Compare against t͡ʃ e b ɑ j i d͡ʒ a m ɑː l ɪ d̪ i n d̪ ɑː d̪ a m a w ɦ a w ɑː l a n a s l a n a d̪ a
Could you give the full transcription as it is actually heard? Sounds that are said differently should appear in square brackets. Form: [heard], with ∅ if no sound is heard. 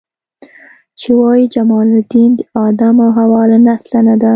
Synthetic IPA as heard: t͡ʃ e [w] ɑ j i d͡ʒ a m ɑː l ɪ d̪ i n d̪ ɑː d̪ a m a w ɦ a w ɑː l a n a s l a n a d̪ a

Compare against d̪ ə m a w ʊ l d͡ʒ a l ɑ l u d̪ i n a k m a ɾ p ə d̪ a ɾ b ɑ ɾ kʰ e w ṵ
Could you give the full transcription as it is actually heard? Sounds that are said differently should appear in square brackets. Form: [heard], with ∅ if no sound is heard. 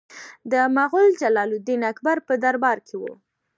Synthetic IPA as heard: d̪ ə m a [ɣ] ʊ l d͡ʒ a l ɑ l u d̪ i n a k [b] a ɾ p ə d̪ a ɾ b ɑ ɾ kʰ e w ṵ

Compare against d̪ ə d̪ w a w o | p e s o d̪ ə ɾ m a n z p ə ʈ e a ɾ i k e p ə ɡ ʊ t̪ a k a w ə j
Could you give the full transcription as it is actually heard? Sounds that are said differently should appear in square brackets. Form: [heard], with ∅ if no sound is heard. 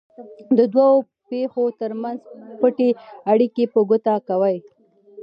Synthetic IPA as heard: d̪ ə d̪ w a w o | p e [x] o [t̪] ə ɾ m a n z p ə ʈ e a [ɽ] i k e p ə ɡ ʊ t̪ a k a w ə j

